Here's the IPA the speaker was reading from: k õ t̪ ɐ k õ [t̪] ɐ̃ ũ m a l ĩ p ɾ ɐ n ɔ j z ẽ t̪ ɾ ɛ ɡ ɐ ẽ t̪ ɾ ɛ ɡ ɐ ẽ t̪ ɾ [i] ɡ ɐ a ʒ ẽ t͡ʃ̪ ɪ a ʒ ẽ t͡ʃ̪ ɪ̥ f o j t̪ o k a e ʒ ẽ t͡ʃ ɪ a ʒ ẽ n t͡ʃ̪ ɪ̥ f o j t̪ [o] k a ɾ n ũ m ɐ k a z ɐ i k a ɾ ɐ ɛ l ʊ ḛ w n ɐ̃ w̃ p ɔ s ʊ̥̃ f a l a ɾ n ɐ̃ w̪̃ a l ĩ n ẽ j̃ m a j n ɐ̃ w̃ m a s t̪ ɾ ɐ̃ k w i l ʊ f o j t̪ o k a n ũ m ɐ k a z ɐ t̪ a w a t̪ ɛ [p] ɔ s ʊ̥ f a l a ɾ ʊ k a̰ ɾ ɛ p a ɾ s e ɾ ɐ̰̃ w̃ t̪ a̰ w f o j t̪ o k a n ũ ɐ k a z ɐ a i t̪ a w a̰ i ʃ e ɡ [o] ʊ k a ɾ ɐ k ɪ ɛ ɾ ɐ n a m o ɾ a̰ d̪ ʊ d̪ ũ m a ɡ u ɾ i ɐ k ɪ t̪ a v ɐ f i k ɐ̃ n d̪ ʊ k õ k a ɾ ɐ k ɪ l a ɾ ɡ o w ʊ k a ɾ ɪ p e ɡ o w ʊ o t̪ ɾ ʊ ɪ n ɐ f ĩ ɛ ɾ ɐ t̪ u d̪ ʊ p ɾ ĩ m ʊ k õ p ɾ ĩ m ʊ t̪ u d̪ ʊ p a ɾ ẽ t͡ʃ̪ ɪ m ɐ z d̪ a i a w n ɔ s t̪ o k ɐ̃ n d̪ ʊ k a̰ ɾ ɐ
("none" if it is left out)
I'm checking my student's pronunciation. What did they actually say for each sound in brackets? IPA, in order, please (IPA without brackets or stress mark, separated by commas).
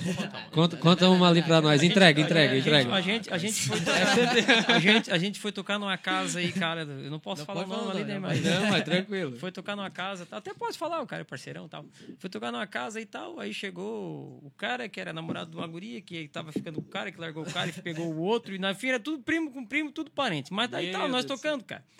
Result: t̪, ɛ, o, p, o